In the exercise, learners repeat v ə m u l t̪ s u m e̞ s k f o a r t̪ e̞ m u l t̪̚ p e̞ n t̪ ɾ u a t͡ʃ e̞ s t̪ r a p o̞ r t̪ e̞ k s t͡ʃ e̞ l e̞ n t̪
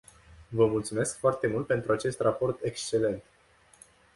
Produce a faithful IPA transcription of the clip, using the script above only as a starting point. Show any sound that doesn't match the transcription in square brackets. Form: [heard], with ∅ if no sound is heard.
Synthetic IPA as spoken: v ə m u l t̪ s u m e̞ s k f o a r t̪ e̞ m u l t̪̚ p e̞ n t̪ ɾ u a t͡ʃ e̞ s t̪ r a p o̞ r t̪ e̞ k s t͡ʃ e̞ l e̞ n t̪